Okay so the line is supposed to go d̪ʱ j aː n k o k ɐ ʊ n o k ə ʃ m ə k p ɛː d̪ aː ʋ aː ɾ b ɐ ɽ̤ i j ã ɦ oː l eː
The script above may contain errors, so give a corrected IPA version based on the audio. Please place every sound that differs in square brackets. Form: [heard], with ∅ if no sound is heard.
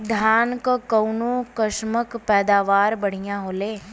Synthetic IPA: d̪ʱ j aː n k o k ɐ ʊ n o k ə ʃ m ə k p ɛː d̪ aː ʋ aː ɾ b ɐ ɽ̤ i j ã ɦ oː l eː